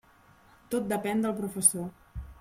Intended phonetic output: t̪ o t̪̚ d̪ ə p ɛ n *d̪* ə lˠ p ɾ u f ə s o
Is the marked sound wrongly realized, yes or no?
no